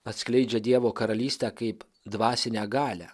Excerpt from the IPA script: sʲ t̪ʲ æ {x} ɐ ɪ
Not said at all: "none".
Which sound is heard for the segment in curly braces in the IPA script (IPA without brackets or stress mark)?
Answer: k